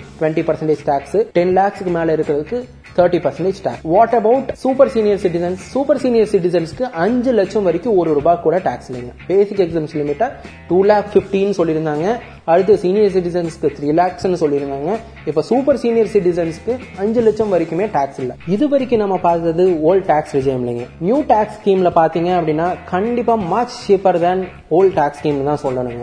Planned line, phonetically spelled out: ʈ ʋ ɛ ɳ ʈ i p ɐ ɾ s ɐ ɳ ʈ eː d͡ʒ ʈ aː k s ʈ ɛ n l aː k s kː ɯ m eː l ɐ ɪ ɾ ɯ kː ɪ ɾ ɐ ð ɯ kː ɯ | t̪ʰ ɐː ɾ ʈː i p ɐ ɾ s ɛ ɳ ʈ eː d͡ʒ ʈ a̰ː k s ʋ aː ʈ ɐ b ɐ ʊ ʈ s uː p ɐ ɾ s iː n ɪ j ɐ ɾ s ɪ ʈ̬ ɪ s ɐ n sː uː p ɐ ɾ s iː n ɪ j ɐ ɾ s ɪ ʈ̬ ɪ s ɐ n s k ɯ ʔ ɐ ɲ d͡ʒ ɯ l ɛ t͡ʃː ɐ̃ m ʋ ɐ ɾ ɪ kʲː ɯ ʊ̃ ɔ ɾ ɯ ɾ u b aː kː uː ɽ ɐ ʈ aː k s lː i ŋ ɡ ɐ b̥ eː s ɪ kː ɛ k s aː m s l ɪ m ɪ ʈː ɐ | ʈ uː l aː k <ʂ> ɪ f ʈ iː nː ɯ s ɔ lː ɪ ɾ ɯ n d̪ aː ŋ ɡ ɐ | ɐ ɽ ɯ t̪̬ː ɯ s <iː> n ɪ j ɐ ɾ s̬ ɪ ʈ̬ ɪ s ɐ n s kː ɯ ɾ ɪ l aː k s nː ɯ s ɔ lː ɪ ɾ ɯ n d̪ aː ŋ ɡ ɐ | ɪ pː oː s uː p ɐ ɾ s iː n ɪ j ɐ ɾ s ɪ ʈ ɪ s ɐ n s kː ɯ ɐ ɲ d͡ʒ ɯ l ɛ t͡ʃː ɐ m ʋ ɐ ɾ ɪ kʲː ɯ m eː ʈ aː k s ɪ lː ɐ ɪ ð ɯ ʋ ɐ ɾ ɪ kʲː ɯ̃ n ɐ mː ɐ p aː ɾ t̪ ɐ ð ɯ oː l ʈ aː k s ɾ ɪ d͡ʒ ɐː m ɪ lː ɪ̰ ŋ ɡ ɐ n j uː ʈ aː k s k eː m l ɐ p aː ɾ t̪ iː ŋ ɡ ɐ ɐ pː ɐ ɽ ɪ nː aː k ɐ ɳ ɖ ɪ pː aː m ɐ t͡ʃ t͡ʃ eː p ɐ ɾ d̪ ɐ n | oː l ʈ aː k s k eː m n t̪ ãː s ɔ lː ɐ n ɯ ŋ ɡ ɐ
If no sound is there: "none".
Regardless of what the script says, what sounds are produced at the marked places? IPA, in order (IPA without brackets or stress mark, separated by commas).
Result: f, iː